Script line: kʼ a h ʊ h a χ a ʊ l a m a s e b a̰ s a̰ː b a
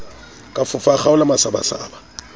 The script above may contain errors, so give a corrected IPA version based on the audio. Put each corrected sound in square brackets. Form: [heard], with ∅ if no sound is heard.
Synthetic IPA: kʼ a [f] ʊ [f] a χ a ʊ l a m a s [a] b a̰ s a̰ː b a